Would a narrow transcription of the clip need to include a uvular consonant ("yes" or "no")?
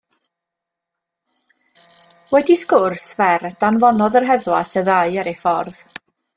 no